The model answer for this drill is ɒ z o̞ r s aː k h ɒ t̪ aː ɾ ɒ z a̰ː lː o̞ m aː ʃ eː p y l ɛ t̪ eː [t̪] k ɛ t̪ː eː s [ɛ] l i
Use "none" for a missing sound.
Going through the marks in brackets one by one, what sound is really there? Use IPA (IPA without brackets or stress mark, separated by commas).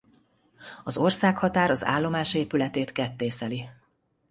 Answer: t̪, ɛ